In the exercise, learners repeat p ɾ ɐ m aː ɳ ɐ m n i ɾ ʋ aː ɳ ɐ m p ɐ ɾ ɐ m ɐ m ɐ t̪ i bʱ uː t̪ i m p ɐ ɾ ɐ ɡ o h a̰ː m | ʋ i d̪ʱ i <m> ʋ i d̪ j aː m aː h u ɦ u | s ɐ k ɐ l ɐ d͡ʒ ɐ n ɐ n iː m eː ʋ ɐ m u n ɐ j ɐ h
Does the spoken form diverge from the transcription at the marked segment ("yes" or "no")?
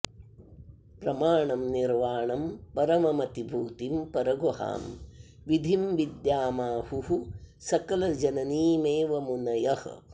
no